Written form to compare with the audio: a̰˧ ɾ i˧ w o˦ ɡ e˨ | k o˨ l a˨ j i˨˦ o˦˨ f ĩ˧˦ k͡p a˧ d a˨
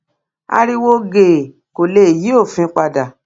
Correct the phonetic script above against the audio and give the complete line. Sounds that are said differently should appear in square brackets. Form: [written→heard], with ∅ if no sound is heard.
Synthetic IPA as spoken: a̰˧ ɾ i˧ w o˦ ɡ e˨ | k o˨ l [a˨→e˨] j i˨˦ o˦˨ f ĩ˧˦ k͡p a˧ d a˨